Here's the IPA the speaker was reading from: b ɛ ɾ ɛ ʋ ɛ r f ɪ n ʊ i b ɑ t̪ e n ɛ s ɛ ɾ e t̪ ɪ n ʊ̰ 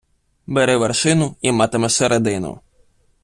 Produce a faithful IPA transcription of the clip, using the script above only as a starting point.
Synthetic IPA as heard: b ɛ ɾ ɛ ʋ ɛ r ʃ ɪ n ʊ i m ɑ t̪ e m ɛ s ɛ ɾ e d̪ ɪ n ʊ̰